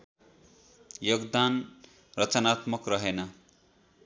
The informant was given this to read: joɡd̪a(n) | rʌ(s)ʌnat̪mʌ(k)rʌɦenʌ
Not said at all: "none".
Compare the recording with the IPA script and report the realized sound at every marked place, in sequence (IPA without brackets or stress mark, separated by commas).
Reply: n, t͡s, k